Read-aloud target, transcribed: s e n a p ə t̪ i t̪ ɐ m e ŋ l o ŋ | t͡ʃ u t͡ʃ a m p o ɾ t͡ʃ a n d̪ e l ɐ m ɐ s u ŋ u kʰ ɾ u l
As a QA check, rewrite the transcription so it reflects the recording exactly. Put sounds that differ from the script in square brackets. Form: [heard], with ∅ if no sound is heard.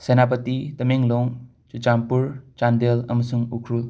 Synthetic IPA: s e n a p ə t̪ i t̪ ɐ m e ŋ l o ŋ | t͡ʃ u t͡ʃ a m p [u] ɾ t͡ʃ a n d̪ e l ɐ m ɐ s u ŋ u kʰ ɾ u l